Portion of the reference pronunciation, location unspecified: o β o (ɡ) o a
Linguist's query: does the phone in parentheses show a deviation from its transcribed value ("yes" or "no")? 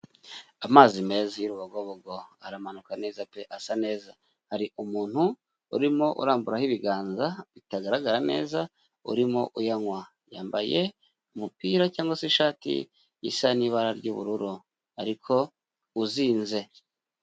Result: no